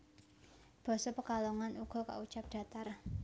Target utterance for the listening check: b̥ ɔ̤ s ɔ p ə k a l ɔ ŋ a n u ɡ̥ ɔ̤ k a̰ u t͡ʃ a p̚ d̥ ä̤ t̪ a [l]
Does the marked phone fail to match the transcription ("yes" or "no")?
yes